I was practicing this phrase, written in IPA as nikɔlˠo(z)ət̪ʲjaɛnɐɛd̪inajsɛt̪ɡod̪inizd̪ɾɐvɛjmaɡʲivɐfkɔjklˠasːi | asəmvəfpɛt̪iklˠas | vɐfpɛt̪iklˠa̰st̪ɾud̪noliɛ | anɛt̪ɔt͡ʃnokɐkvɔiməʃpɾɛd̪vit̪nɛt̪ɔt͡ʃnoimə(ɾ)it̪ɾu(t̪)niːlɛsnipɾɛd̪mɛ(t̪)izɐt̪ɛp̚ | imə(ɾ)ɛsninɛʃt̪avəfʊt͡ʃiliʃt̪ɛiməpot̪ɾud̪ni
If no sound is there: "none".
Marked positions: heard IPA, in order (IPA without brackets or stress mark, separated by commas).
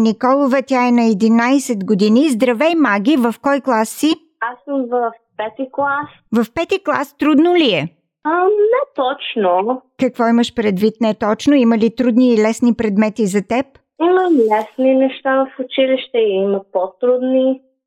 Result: v, l, d̪, t̪, l